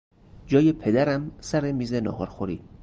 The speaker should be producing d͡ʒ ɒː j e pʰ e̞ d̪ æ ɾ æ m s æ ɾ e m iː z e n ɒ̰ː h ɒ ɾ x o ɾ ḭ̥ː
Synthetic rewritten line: d͡ʒ ɒː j e pʰ e̞ d̪ æ ɾ æ m s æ ɾ e m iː z e n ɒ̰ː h ɒ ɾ x o ɾ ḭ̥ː